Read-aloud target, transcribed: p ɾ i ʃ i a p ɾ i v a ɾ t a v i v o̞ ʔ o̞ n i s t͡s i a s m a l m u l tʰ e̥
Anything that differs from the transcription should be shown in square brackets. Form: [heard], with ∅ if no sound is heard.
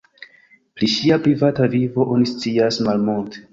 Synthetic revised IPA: p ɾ i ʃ i a p ɾ i v a [∅] t a v i v o̞ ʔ o̞ n i s t͡s i a s m a l m u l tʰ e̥